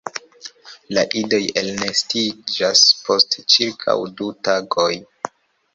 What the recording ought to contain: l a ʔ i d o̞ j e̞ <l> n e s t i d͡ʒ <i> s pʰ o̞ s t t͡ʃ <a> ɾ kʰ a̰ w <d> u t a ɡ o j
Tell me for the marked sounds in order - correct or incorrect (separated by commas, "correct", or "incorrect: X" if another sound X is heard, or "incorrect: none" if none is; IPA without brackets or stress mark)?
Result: correct, incorrect: a, incorrect: i, correct